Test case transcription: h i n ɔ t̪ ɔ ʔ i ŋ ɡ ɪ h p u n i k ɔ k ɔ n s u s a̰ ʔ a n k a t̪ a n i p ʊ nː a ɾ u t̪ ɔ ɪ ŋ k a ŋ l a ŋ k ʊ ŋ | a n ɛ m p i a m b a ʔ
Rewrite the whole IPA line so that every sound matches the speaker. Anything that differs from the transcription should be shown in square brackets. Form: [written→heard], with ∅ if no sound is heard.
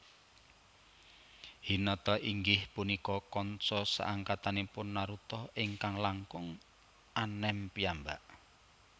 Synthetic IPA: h i n ɔ t̪ ɔ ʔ i ŋ ɡ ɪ h p u n i k ɔ k ɔ n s [u→ɔ] s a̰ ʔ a [n→ŋ] k a t̪ a n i p ʊ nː a ɾ u t̪ ɔ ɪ ŋ k a ŋ l a ŋ k ʊ ŋ | a n ɛ m p i a m b a ʔ